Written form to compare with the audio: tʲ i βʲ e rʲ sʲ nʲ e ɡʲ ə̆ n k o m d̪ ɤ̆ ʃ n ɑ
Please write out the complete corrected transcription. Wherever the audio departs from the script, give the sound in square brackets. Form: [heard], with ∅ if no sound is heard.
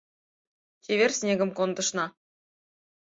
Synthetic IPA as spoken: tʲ [e] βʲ e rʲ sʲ nʲ e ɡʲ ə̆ [m] k o [n] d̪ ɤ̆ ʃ n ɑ